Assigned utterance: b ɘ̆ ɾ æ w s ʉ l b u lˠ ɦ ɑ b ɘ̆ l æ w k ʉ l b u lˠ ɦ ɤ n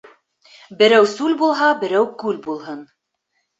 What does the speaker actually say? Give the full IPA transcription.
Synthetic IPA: b ɘ̆ ɾ æ w s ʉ l b u lˠ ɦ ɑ b ɘ̆ ɾ æ w k ʉ l b u lˠ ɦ ɤ n